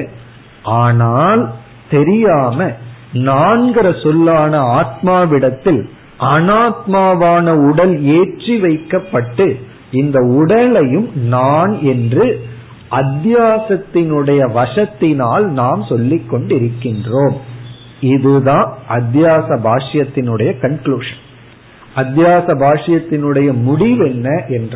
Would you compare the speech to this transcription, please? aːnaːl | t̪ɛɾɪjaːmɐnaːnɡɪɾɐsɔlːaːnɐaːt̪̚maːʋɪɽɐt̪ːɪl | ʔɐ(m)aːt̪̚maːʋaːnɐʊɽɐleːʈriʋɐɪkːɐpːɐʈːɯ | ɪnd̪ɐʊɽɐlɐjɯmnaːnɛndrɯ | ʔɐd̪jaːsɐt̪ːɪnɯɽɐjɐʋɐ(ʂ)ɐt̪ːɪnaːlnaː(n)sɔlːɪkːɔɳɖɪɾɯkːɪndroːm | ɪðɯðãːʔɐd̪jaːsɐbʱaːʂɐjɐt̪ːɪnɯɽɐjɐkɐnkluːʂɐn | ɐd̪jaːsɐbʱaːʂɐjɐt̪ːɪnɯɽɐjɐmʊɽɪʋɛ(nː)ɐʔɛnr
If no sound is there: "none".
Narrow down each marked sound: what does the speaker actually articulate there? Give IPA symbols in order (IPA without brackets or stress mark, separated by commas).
n, ʂ, m, nː